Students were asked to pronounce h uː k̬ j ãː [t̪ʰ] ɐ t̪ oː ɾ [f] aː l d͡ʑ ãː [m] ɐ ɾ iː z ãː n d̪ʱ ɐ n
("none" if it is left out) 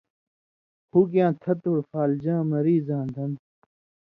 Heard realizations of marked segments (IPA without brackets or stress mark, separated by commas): t̪ʰ, f, m